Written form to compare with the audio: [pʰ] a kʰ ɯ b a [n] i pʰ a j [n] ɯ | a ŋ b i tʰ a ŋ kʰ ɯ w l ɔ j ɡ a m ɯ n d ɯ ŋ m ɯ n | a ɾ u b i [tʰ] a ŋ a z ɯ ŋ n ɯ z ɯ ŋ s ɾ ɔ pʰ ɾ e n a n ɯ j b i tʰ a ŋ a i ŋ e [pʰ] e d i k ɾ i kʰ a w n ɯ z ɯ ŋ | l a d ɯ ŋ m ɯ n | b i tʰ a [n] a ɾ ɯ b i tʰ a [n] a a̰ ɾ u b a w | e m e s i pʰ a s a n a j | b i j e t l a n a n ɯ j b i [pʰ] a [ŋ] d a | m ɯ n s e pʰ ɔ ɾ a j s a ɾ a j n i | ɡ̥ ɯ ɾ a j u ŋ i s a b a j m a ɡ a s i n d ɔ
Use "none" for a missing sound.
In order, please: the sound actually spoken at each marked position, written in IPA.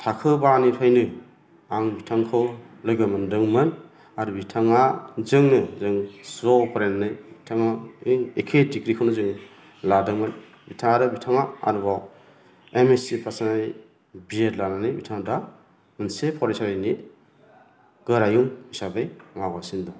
tʰ, n, n, tʰ, kʰ, ŋ, ŋ, tʰ, ŋ

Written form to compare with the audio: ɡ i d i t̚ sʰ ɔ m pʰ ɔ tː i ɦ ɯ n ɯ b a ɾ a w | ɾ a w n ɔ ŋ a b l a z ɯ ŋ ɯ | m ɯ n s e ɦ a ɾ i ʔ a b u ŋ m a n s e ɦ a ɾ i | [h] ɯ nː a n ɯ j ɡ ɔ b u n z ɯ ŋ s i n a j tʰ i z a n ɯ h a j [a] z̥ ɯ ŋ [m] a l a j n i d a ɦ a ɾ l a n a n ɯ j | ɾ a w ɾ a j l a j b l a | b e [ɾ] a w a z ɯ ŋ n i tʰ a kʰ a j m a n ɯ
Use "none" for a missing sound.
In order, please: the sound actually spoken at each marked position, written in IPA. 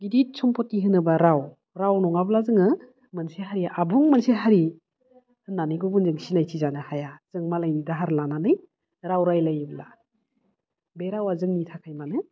h, a, m, ɾ

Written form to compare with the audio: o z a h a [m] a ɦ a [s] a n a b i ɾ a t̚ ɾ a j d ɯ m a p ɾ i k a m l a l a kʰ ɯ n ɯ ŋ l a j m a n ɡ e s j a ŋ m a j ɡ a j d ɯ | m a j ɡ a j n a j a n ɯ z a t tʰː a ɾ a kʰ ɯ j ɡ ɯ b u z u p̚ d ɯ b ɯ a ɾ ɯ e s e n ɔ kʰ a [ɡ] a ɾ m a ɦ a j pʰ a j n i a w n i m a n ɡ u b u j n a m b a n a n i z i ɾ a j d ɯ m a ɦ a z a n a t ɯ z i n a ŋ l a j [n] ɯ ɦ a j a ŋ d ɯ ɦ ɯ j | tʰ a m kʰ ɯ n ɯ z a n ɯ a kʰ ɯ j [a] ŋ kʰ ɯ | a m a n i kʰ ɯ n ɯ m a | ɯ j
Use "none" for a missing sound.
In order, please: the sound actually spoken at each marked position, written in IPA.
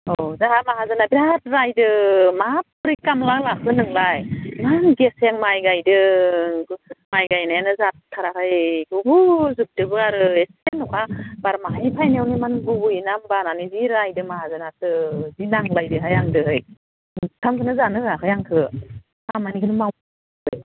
m, z, b, d, a

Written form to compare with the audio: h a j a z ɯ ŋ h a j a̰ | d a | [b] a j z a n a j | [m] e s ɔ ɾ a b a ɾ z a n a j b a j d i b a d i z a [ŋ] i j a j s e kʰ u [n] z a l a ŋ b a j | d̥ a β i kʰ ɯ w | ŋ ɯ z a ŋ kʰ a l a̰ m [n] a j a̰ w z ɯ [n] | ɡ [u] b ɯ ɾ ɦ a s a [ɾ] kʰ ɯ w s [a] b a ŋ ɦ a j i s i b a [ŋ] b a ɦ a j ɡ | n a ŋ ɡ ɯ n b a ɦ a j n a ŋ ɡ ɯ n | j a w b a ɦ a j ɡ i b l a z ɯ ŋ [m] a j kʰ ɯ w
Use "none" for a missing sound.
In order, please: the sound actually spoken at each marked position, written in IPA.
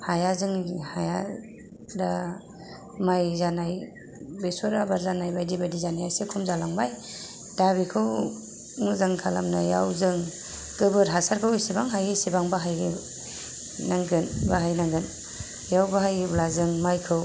m, b, n, m, n, ŋ, ɯ, ɾ, i, ŋ, m

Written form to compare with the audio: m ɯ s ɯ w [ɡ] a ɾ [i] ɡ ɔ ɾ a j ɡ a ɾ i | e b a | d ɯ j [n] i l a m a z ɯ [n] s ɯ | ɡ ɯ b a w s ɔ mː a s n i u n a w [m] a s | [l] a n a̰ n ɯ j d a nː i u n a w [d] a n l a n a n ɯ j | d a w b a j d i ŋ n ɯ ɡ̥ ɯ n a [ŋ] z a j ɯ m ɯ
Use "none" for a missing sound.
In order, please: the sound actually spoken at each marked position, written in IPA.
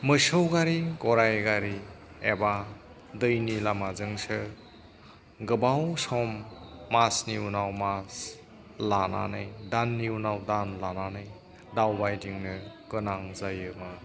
ɡ, i, n, ŋ, m, l, d, ŋ

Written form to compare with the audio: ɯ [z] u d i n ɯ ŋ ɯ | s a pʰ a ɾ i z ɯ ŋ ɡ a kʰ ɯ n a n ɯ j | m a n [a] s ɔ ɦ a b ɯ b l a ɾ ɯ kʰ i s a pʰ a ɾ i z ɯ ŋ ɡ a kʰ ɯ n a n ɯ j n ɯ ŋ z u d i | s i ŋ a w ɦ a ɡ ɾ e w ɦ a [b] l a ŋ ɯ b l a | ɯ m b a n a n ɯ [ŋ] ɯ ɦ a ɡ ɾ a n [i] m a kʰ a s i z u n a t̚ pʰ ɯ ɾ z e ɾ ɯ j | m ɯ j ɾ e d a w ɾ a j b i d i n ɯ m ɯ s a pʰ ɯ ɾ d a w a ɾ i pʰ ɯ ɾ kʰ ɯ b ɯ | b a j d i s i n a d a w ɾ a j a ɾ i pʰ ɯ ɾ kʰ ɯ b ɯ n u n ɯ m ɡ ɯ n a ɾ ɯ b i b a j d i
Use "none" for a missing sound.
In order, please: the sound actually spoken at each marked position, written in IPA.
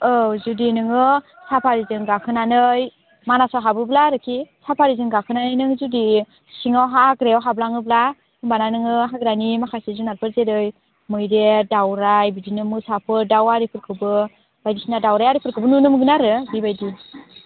z, a, b, ŋ, i

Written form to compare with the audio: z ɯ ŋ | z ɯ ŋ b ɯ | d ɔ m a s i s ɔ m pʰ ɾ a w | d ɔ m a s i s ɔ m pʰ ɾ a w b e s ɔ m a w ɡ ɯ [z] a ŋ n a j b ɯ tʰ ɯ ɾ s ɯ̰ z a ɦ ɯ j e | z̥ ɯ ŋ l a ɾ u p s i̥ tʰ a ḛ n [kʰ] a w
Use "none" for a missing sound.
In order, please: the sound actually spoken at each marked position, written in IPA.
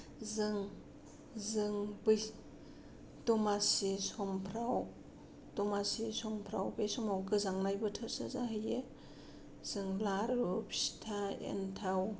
z, tʰ

